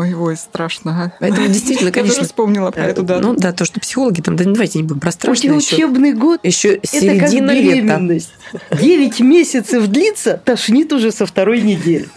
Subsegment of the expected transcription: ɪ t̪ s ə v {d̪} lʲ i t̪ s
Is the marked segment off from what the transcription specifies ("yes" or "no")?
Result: no